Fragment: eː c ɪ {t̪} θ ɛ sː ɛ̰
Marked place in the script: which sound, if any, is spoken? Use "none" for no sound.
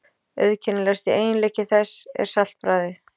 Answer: none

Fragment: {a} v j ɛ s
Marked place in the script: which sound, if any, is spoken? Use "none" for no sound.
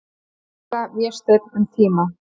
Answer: a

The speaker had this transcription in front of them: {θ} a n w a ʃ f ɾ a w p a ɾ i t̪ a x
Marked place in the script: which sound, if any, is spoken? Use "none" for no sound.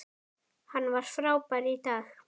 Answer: h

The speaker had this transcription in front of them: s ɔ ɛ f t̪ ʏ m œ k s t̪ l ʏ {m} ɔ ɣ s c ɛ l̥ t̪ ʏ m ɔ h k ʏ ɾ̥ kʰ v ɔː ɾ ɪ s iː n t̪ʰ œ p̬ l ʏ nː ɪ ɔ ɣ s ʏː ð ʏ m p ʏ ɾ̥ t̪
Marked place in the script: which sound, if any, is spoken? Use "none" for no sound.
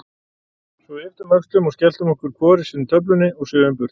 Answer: m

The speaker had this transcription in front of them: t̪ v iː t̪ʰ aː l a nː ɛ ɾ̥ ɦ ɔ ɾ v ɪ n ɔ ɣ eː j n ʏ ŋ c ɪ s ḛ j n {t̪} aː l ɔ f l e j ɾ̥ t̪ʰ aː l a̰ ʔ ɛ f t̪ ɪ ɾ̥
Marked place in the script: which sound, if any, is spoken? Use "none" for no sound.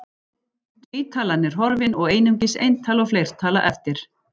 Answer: t̪ʰ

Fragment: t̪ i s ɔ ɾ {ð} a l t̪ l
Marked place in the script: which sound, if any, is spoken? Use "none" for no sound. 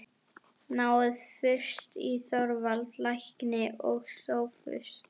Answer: v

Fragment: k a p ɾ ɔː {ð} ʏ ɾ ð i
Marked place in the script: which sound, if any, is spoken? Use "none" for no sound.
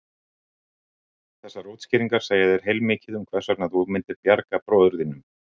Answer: ð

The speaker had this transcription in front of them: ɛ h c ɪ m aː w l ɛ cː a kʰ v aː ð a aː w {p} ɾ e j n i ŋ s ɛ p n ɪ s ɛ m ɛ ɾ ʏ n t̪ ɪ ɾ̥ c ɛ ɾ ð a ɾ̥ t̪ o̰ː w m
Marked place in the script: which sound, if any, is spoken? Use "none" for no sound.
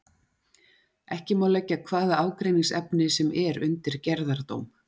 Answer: k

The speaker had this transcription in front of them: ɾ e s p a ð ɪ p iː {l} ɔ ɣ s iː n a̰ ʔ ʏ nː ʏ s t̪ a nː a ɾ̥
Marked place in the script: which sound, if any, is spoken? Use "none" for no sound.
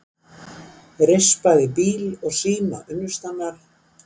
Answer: l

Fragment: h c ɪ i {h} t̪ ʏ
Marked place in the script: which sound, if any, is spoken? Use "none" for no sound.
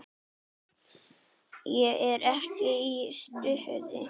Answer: s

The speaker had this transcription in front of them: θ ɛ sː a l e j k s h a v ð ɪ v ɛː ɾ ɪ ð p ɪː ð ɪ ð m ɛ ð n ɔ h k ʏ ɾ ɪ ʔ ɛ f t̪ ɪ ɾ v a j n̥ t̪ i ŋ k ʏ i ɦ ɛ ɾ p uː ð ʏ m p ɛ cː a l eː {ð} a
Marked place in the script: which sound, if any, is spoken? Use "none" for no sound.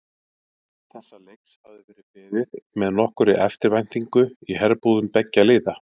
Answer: ð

